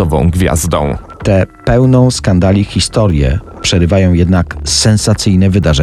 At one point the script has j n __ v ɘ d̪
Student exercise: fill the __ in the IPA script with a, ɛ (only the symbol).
ɛ